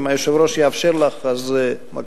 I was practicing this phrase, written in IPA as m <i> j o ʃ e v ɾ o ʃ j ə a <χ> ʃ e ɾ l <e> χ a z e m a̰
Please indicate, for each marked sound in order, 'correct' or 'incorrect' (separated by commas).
incorrect, incorrect, incorrect